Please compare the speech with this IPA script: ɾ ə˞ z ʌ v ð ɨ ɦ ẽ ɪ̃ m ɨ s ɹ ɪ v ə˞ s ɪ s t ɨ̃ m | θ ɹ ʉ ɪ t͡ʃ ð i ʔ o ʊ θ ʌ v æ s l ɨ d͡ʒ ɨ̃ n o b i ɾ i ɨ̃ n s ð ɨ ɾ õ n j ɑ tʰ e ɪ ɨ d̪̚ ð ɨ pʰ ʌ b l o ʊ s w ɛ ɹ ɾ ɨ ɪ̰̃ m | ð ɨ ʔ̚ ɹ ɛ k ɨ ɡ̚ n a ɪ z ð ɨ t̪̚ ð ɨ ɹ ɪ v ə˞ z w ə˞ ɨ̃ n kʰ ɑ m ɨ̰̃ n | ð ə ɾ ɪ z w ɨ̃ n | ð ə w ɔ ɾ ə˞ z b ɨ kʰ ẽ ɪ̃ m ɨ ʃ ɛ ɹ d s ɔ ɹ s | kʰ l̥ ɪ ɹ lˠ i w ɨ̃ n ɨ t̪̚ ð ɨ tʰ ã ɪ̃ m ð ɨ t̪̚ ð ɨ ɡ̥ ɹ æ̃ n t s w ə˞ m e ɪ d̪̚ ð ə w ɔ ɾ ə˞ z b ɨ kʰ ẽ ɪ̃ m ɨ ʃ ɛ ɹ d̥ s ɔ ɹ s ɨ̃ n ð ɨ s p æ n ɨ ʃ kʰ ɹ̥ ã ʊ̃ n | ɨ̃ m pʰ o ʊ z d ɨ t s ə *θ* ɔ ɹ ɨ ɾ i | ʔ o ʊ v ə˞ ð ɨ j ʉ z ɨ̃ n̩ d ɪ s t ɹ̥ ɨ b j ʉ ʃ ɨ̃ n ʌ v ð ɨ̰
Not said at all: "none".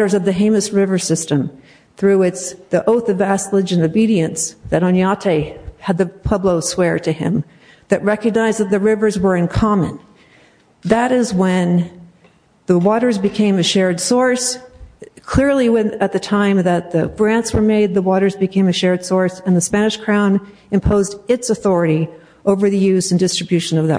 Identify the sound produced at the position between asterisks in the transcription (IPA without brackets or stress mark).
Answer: θ